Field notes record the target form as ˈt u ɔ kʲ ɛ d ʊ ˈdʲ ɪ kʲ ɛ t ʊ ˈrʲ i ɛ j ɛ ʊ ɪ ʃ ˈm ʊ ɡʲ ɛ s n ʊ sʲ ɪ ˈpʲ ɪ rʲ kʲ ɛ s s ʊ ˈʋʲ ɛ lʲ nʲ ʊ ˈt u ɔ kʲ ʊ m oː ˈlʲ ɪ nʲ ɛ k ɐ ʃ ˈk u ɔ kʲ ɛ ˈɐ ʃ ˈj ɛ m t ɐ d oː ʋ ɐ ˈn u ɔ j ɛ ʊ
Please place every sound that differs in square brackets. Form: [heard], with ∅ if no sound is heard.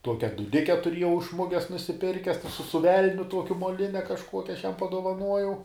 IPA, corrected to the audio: ˈt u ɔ kʲ ɛ d ʊ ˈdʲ ɪ kʲ ɛ t ʊ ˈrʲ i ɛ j ɛ ʊ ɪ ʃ ˈm ʊ ɡʲ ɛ s n ʊ sʲ ɪ ˈpʲ ɪ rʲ kʲ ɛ s s ʊ ˈʋʲ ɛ lʲ nʲ ʊ ˈt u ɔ kʲ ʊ m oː ˈlʲ ɪ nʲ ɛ k ɐ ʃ ˈk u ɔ kʲ ɛ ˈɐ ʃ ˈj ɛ m [p] ɐ d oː ʋ ɐ ˈn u ɔ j ɛ ʊ